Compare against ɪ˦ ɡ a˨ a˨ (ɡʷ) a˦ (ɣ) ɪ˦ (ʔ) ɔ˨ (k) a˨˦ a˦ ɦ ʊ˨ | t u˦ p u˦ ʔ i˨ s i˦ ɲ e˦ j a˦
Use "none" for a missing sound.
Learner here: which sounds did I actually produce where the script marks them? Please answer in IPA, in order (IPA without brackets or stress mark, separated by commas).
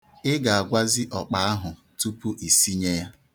ɡʷ, z, ʔ, k͡p